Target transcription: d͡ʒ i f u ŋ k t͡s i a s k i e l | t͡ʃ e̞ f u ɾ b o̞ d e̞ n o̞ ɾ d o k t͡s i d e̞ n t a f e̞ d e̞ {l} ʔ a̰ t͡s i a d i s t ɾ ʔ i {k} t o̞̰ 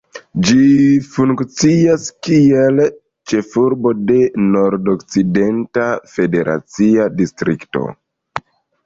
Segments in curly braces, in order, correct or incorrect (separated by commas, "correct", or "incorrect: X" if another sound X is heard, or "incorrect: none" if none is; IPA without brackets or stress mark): incorrect: ɾ, correct